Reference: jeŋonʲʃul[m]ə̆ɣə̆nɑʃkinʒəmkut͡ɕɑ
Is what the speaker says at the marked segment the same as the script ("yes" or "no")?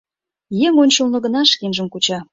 no